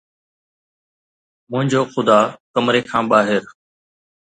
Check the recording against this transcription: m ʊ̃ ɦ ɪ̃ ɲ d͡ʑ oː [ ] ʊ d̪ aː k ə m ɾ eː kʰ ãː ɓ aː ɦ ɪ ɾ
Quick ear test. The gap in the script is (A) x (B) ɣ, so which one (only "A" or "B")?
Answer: A